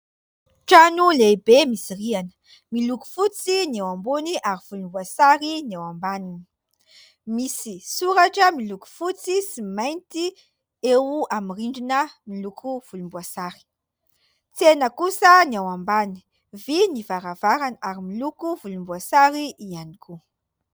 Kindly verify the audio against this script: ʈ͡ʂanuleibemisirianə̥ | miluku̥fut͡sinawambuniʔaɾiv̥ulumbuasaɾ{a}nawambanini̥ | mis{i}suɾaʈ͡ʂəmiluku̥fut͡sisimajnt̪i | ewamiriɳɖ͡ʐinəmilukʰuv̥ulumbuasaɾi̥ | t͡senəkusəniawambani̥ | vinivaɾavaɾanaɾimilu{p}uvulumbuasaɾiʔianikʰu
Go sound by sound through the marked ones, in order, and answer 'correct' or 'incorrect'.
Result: incorrect: i, correct, incorrect: k

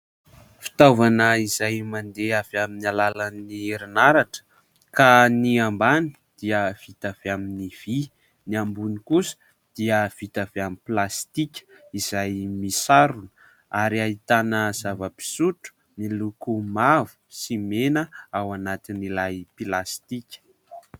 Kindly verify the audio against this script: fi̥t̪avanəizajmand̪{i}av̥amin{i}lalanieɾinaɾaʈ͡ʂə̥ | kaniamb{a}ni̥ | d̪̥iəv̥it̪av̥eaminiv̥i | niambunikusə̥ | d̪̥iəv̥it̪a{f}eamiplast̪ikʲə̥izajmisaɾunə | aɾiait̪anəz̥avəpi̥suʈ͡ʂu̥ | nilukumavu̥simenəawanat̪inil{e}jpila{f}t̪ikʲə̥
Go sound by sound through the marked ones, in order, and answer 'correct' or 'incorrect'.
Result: incorrect: e, incorrect: a, correct, incorrect: v, incorrect: a, incorrect: s

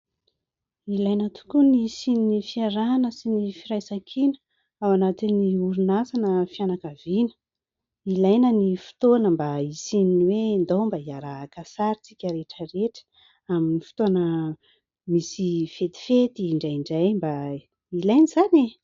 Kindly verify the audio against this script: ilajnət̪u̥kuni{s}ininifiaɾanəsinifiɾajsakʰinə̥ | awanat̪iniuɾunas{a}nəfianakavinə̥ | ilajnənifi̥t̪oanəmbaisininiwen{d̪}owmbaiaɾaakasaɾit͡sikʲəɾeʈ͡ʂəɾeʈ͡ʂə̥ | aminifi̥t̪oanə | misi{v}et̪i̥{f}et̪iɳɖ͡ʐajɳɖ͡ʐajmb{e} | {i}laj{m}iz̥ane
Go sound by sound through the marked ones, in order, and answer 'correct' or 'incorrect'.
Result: correct, correct, correct, incorrect: f, correct, incorrect: a, correct, incorrect: n

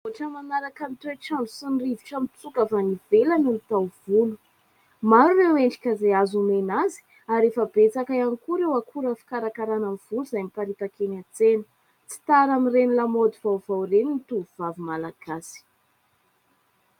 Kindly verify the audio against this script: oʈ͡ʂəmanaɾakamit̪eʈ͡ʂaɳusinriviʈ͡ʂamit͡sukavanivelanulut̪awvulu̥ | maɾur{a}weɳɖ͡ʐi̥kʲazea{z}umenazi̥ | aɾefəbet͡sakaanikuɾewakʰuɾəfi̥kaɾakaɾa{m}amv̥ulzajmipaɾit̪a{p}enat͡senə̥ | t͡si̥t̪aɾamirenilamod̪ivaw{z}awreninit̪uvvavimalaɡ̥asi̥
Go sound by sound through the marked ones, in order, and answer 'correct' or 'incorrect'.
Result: incorrect: e, correct, incorrect: n, incorrect: k, incorrect: v

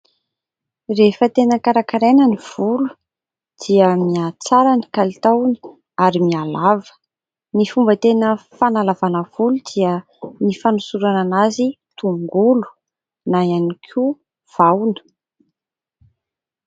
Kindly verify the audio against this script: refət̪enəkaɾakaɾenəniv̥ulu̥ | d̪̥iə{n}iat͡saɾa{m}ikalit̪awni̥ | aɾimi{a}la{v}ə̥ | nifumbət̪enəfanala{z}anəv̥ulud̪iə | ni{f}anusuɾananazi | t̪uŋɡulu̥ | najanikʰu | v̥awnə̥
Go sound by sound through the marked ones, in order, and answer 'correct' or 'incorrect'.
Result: incorrect: m, incorrect: n, correct, correct, incorrect: v, correct

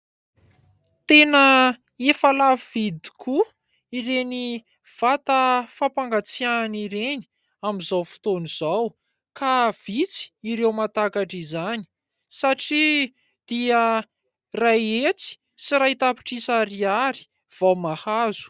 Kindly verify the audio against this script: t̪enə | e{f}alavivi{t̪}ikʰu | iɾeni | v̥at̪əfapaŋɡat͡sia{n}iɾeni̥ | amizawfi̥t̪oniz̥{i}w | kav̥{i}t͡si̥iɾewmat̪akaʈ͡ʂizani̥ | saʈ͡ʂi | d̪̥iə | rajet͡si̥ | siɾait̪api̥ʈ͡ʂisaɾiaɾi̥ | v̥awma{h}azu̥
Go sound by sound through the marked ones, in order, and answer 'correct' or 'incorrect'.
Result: correct, incorrect: d̪, correct, incorrect: a, correct, correct

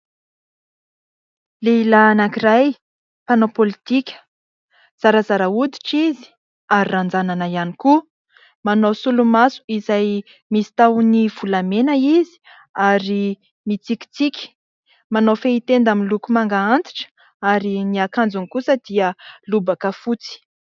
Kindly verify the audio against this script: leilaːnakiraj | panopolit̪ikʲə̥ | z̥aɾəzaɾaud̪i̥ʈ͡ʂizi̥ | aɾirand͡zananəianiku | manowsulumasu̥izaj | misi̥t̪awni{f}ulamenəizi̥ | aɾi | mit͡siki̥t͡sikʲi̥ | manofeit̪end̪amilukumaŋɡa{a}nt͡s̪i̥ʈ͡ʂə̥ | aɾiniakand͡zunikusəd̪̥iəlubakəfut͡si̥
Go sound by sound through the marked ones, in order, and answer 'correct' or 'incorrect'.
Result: incorrect: v, correct

